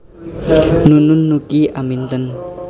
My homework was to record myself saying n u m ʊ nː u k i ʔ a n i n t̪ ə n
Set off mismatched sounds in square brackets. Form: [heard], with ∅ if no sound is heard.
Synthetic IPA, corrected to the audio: n u [n] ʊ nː u k i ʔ a [m] i n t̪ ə n